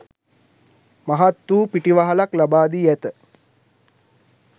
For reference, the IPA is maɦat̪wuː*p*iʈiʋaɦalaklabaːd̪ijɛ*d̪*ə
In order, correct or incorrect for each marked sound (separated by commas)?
correct, incorrect